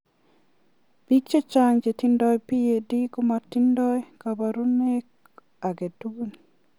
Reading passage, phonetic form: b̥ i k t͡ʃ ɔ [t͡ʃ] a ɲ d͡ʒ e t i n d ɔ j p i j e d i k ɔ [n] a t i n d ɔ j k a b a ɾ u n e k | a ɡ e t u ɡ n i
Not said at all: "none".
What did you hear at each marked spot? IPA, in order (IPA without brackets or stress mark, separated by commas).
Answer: t͡ʃ, m